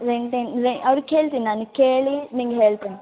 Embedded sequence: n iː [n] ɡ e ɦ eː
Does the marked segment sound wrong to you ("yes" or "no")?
yes